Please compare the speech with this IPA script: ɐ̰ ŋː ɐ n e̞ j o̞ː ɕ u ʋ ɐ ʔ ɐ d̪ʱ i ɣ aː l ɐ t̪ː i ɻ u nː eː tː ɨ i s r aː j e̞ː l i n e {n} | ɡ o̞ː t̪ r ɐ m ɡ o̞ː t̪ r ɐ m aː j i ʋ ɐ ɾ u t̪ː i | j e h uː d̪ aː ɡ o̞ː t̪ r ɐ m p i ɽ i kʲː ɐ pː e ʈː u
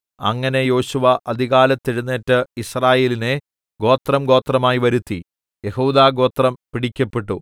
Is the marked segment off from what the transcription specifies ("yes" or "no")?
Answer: yes